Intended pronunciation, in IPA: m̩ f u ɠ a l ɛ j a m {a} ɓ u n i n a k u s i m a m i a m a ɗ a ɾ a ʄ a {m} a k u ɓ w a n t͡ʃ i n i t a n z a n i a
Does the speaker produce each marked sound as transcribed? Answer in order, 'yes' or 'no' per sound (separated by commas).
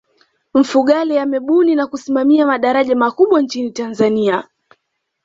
no, yes